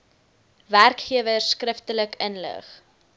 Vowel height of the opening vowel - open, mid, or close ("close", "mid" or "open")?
open